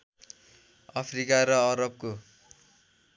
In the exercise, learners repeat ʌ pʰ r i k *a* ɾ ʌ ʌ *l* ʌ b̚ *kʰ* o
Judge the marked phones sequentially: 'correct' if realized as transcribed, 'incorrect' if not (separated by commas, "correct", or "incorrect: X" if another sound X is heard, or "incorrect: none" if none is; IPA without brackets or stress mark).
correct, incorrect: ɾ, incorrect: k